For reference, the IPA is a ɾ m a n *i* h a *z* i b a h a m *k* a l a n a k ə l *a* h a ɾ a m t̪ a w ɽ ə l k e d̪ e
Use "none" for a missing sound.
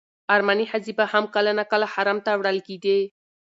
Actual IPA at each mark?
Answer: i, z, k, a

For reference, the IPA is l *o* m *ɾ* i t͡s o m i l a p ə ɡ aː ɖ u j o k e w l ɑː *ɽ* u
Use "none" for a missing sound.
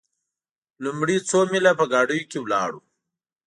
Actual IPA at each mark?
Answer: u, ɽ, ɽ

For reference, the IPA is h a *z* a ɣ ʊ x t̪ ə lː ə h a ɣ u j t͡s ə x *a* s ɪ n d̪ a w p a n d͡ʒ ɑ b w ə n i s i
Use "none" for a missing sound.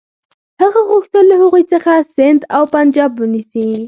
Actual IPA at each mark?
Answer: ɣ, a

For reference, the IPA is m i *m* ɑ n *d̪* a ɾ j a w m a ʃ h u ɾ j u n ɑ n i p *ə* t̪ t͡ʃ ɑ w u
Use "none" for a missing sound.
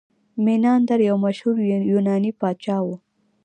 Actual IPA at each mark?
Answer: n, d̪, ɑ

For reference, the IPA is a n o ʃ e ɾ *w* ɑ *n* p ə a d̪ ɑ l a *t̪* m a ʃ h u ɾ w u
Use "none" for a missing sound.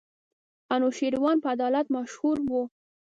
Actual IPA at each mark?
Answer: w, n, t̪

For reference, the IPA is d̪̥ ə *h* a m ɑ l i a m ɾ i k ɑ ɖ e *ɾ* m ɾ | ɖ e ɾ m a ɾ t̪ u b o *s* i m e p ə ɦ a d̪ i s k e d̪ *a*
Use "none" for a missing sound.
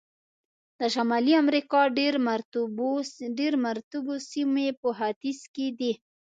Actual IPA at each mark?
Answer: ʃ, ɾ, s, i

